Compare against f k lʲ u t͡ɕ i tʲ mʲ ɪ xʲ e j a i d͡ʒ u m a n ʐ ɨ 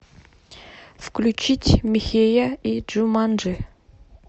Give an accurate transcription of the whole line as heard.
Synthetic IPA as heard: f k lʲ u t͡ɕ i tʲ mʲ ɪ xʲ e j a i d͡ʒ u m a n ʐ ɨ